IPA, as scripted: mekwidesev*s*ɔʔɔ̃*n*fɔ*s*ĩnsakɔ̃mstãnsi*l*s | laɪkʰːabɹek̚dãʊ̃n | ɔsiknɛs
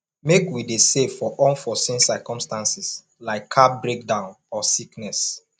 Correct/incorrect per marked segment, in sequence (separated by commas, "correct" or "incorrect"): incorrect, correct, correct, incorrect